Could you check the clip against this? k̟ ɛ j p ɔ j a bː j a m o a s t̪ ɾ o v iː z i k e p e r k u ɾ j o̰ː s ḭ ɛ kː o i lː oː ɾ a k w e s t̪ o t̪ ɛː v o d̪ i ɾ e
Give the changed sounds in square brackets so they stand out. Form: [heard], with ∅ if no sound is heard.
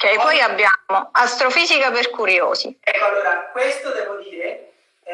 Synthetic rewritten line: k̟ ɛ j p ɔ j a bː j a m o a s t̪ ɾ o [f] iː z i k [a] p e r k u ɾ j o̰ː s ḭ ɛ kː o [a] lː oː ɾ a k w e s t̪ o [d̪] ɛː v o d̪ [iː] ɾ e

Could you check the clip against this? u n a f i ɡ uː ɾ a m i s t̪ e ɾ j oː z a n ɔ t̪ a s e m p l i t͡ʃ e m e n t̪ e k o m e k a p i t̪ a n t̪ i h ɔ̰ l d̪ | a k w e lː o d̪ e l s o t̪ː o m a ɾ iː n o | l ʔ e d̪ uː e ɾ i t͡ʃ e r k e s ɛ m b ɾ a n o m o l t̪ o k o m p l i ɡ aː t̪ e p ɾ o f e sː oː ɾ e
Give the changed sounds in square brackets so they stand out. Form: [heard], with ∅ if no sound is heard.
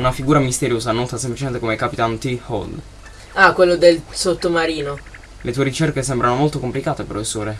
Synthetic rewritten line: u n a f i ɡ uː ɾ a m i s t̪ e ɾ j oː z a n ɔ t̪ a s e m p l i t͡ʃ e m e n t̪ e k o m e k a p i t̪ a n t̪ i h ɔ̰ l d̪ | a k w e lː o d̪ e l s o t̪ː o m a ɾ iː n o | l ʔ e [t̪] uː e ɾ i t͡ʃ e r k e s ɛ m b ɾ a n o m o l t̪ o k o m p l i [k] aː t̪ e p ɾ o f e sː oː ɾ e

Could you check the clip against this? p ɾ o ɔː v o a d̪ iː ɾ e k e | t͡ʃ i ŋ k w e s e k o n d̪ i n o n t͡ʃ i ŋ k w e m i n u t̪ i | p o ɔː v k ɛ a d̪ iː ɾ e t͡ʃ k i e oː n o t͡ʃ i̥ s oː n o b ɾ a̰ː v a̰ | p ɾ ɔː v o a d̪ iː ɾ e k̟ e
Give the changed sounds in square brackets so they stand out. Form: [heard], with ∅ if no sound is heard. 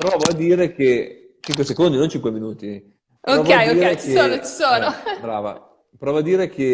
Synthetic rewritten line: p ɾ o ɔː v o a d̪ iː ɾ e k e | t͡ʃ i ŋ k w e s e k o n d̪ i n o n t͡ʃ i ŋ k w e m i n [uː] t̪ i | p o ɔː v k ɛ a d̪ iː ɾ e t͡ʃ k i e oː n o t͡ʃ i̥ s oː n o b ɾ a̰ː v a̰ | p ɾ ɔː v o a d̪ iː ɾ e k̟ e

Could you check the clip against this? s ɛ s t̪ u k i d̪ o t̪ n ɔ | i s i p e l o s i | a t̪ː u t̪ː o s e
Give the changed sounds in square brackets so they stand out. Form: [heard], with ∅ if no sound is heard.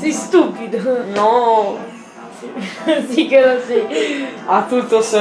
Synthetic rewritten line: s [i] s t̪ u [p] i d̪ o [∅] n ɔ | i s i [k] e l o s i | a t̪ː u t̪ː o s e

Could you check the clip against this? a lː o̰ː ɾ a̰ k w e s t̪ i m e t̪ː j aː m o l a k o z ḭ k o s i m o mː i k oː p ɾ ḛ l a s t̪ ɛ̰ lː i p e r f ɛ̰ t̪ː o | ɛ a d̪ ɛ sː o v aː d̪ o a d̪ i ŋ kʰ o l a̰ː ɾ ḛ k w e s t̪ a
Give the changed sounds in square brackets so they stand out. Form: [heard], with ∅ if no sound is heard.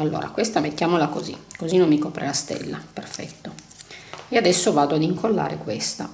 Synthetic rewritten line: a lː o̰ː ɾ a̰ k w e s t̪ [a] m e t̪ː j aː m o l a k o z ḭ k o [z] i [n] o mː i k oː p ɾ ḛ l a s t̪ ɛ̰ lː [a] p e r f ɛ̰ t̪ː o | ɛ a d̪ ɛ sː o v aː d̪ o a d̪ i ŋ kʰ o [lː] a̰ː ɾ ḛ k w e s t̪ a

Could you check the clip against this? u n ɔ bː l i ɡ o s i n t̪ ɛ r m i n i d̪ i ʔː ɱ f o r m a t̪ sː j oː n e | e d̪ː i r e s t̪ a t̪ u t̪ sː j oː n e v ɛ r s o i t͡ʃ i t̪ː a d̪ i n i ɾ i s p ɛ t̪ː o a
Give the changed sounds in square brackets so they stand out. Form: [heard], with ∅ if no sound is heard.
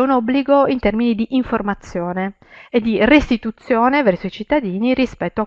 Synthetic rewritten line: u n ɔ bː l i ɡ o [∅] i n t̪ ɛ r m i n i d̪ i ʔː ɱ f o r m a t̪ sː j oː n e | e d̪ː i r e s t̪ [i] t̪ u t̪ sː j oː n e v ɛ r s o i t͡ʃ i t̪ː a d̪ [iː] n i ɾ i s p ɛ t̪ː o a

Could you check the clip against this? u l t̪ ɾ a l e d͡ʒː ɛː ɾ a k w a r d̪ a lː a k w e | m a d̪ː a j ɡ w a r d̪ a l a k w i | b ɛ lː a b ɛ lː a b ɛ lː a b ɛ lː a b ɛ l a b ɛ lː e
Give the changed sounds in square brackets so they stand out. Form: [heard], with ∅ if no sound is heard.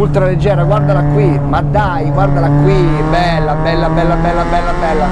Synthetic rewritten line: u l t̪ ɾ a l e d͡ʒː ɛː ɾ a [ɡ] w a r d̪ a [l] a k w [i] | m a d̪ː a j ɡ w a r d̪ a l a k w i | b ɛ lː a b ɛ lː a b ɛ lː a b ɛ lː a b ɛ [lː] a b ɛ lː [a]

